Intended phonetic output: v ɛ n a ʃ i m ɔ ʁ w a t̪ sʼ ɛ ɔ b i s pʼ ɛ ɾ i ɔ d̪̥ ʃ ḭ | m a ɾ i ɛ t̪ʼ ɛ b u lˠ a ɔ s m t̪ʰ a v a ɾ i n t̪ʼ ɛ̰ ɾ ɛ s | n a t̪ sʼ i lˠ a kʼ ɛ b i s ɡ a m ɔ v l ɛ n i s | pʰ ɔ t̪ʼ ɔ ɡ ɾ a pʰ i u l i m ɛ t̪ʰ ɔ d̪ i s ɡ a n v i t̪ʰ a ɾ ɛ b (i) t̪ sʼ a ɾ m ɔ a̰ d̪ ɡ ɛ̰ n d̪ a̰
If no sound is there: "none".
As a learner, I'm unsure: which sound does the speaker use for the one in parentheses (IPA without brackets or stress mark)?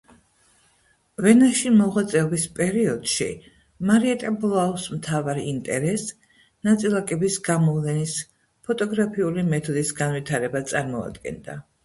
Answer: a